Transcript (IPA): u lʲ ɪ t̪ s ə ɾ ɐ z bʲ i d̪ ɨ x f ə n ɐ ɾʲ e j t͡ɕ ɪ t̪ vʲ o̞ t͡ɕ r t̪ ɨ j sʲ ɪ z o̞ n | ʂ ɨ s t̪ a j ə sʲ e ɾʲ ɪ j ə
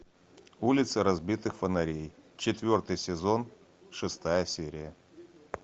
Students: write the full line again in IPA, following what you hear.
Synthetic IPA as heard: u lʲ ɪ t̪ s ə ɾ ɐ z bʲ i t̪ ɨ x f ə n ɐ ɾʲ e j t͡ɕ ɪ t̪ vʲ o̞ r t̪ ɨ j sʲ ɪ z o̞ n | ʂ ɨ s t̪ a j ə sʲ e ɾʲ ɪ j ə

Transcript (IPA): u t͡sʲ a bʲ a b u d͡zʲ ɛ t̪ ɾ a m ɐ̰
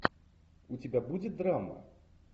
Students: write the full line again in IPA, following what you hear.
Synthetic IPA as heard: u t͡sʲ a bʲ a b u d͡zʲ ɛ d̪ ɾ a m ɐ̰

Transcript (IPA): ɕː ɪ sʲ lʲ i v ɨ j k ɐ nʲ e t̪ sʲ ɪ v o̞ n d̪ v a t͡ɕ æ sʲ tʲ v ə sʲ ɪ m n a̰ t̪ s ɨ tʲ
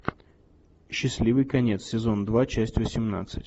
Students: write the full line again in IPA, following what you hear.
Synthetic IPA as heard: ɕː ɪ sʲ lʲ i v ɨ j k ɐ nʲ e t̪ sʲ ɪ z o̞ n d̪ v a t͡ɕ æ sʲ tʲ v ə sʲ ɪ m n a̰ t̪ s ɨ tʲ

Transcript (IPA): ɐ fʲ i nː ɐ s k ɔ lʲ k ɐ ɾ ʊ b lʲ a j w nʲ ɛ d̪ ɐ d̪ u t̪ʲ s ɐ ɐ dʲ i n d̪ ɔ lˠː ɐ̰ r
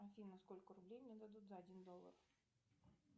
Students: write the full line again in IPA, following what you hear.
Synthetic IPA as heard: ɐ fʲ i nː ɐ s k ɔ lʲ k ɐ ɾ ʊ b lʲ e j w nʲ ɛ d̪ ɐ d̪ u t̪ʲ z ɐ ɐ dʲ i n d̪ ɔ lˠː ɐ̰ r

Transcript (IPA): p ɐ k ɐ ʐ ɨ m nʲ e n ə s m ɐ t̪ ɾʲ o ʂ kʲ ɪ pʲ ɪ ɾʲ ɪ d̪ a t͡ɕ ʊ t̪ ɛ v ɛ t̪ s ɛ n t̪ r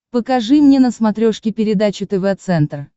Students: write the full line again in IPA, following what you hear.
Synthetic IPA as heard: p ə k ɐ ʐ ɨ m nʲ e n ə s m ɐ t̪ ɾʲ o ʂ kʲ ɪ pʲ ɪ ɾʲ ɪ d̪ a t͡ɕ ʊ t̪ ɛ v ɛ t̪ s ɛ n t̪ r

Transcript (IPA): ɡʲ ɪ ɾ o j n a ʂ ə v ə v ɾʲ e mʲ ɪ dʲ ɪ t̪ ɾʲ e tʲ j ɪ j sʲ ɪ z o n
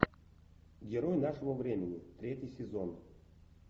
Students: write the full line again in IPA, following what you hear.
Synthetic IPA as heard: ɡʲ ɪ ɾ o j n a ʂ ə v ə v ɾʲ e mʲ ɪ nʲ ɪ t̪ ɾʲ e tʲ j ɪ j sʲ ɪ z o n

